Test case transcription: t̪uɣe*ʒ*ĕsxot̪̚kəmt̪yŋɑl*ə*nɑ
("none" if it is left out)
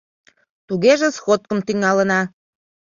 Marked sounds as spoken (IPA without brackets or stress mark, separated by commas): ʒ, ə